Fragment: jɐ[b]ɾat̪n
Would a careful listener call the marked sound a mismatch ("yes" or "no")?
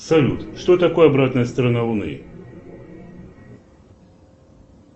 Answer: no